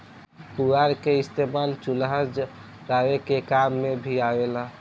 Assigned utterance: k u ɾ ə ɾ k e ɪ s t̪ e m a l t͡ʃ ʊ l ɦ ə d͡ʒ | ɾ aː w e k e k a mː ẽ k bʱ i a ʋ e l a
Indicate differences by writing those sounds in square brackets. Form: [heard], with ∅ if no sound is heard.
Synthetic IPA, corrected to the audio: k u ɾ [a] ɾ k e ɪ s t̪ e m a l t͡ʃ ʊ l ɦ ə d͡ʒ | ɾ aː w e k e k a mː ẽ [∅] bʱ i a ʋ e l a